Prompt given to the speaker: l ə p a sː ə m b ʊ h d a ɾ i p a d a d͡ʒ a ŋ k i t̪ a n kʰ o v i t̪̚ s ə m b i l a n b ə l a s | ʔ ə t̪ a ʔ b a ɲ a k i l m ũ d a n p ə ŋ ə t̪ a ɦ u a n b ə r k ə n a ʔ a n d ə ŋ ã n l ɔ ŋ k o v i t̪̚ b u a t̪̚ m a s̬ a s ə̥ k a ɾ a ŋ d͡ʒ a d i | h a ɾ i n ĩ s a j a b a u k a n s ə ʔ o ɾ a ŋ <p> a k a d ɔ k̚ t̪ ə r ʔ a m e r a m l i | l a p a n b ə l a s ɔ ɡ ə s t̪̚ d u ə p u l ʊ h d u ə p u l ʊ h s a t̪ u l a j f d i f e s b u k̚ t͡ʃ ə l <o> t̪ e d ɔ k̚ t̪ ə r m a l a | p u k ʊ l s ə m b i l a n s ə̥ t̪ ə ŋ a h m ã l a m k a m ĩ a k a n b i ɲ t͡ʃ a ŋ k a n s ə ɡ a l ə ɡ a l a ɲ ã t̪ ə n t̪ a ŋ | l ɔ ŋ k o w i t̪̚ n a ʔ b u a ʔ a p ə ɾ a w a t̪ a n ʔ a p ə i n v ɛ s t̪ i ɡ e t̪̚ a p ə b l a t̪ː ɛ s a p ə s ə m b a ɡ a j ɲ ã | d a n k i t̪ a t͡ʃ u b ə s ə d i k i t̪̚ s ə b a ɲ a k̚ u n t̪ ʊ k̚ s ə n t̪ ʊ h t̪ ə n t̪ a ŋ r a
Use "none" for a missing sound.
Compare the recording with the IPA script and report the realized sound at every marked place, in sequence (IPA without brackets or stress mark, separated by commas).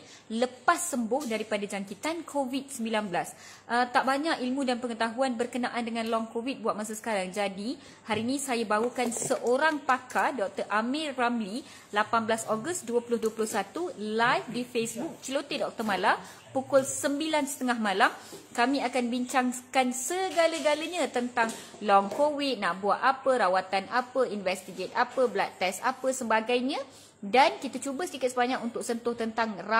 p, o